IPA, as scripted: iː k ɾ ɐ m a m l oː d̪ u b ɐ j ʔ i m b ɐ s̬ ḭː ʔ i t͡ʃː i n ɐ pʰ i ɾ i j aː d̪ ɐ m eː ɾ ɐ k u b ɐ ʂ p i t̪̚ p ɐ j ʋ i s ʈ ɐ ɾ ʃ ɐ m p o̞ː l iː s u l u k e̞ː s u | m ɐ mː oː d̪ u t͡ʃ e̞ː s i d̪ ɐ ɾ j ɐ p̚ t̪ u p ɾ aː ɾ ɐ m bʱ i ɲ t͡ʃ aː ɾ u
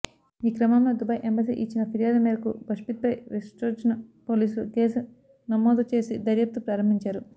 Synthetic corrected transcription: iː k ɾ ɐ m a m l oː d̪ u b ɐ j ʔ e m b ɐ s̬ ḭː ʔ i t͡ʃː i n ɐ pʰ i ɾ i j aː d̪ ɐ m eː ɾ ɐ k u b ɐ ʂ p i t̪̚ p ɐ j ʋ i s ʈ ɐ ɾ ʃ ɐ n p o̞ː l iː s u l u k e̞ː s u | n ɐ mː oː d̪ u t͡ʃ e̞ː s i d̪ ɐ ɾ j ɐ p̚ t̪ u p ɾ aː ɾ ɐ m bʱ i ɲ t͡ʃ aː ɾ u